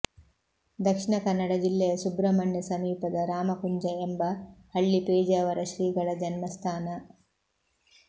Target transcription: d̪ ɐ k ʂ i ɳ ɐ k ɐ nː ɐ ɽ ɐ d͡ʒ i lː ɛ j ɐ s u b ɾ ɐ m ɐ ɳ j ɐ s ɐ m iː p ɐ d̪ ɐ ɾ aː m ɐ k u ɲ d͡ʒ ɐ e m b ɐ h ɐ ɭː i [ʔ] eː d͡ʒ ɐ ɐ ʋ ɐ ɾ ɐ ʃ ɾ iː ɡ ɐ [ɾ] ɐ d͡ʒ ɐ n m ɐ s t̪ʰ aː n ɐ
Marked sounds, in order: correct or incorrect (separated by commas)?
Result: incorrect, incorrect